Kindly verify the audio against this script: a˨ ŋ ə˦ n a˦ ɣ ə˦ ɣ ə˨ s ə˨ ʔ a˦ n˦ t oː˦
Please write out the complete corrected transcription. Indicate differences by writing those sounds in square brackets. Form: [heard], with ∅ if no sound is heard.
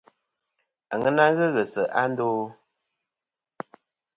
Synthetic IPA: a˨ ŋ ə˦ n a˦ ɣ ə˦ ɣ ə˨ s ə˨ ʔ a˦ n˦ [d] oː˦